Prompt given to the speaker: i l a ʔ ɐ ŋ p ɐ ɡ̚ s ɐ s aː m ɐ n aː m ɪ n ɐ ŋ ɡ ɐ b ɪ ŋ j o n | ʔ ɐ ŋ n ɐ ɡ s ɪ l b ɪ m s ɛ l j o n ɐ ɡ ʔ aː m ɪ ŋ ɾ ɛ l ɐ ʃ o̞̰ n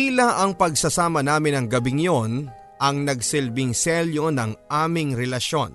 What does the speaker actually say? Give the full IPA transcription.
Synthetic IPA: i l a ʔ ɐ ŋ p ɐ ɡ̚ s ɐ s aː m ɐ n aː m ɪ n ɐ ŋ ɡ ɐ b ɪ ŋ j o n | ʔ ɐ ŋ n ɐ ɡ s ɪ l b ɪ ŋ s ɛ l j o n ɐ ŋ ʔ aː m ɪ ŋ ɾ ɛ l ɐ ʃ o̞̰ n